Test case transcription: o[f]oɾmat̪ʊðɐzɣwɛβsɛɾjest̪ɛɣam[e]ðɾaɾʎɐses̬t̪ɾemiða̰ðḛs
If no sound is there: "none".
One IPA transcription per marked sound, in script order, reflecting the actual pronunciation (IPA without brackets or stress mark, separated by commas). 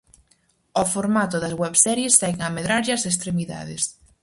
f, e